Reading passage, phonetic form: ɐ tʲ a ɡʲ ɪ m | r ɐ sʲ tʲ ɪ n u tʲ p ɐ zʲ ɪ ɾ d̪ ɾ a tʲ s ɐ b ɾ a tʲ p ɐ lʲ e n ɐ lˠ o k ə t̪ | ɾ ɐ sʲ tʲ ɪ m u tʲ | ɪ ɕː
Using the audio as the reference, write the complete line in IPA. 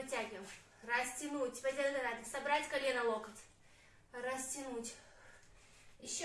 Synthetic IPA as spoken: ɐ tʲ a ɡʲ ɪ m | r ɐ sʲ tʲ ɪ n u tʲ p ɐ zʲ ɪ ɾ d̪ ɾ a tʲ s ɐ b ɾ a tʲ k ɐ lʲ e n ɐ lˠ o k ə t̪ | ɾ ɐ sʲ tʲ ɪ n u tʲ | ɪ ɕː